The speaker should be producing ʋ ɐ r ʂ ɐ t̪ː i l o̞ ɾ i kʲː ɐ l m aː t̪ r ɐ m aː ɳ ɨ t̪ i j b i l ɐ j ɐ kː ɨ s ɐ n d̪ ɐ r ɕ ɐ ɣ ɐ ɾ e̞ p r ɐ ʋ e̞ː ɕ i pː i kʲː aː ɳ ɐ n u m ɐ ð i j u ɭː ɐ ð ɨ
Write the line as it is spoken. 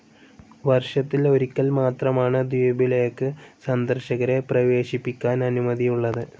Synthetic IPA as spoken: ʋ ɐ r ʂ ɐ t̪ː i l o̞ ɾ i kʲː ɐ l m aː t̪ r ɐ m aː ɳ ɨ d̪ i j b i l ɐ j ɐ kː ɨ s ɐ n d̪ ɐ r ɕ ɐ ɣ ɐ ɾ e̞ p r ɐ ʋ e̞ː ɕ i pː i kʲː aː n ɐ n u m ɐ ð i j u ɭː ɐ ð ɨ

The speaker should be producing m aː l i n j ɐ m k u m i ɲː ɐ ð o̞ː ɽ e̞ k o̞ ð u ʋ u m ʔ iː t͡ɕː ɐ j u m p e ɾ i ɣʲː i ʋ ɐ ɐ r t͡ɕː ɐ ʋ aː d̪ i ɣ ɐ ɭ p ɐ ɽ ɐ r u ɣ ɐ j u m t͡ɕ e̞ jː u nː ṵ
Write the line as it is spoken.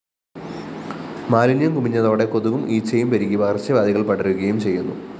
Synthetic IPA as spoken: m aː l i n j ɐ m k u m i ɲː ɐ ð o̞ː ɽ e̞ k o̞ ð u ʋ u m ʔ iː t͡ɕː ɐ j u m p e ɾ i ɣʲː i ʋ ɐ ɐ r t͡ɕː ɐ ʋ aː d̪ i ɣ ɐ ɭ p ɐ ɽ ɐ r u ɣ ɐ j u m t͡ɕ e̞ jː u nː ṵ

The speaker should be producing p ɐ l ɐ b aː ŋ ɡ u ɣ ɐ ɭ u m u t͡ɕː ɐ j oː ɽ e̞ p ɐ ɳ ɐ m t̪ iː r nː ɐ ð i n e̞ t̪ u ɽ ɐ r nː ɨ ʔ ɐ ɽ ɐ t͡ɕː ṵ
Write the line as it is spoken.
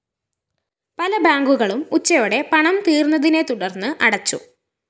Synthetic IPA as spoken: p ɐ l ɐ b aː ŋ ɡ u ɣ ɐ ɭ u m u t͡ɕː ɐ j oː ɽ e̞ p ɐ ɳ ɐ m t̪ iː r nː ɐ ð i n e̞ t̪ u ɽ ɐ r nː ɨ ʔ ɐ ɽ ɐ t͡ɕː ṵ

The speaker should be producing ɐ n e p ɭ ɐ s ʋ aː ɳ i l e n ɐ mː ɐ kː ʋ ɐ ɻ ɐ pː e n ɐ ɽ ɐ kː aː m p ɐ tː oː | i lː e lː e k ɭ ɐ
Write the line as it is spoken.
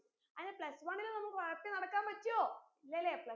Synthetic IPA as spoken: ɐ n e p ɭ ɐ s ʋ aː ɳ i l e n ɐ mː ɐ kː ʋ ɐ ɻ ɐ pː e n ɐ ɽ ɐ kː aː m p ɐ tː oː | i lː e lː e p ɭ ɐ

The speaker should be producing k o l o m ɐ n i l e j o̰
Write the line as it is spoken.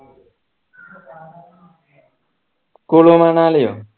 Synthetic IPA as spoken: k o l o m a n a l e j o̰

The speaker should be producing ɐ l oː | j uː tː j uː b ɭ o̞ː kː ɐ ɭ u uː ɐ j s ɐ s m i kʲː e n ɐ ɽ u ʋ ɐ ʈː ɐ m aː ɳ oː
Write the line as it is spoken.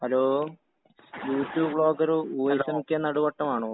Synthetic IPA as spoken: ɐ l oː | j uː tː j uː b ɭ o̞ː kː ɐ ɾ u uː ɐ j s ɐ m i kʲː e n ɐ ɽ u ʋ ɐ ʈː ɐ m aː ɳ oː

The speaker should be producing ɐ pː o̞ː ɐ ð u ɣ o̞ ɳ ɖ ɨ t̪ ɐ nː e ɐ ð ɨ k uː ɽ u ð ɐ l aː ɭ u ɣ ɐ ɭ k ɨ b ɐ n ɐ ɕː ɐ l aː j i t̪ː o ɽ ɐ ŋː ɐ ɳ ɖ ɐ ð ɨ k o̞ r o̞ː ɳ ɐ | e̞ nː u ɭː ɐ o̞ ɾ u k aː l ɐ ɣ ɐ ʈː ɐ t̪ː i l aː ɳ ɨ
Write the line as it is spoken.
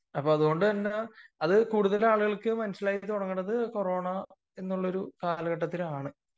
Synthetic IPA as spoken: ɐ pː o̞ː ɐ ð u ɣ o̞ ɳ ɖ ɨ t̪ ɐ nː e ɐ ð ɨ k uː ɽ u ð ɐ l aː ɭ u ɣ ɐ ɭ k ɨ m ɐ n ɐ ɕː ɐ l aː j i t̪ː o ɽ ɐ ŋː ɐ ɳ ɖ ɐ ð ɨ k o̞ r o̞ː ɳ ɐ | e̞ nː u ɭː ɐ o̞ ɾ u k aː l ɐ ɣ ɐ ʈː ɐ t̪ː i l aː ɳ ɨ

